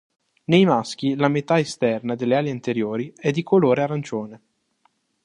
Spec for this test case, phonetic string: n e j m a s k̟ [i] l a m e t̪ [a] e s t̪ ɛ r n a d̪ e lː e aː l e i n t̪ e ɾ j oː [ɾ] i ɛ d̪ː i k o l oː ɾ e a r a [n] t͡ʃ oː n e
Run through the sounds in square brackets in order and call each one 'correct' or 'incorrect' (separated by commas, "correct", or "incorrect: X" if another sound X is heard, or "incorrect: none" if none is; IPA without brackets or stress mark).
correct, correct, correct, correct